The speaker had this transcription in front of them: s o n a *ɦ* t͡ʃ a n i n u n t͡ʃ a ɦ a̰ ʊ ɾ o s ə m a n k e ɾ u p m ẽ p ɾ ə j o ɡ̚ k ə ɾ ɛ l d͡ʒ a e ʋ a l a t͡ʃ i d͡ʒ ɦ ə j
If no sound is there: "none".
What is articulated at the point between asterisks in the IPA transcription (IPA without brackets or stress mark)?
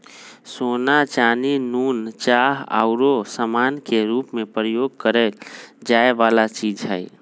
none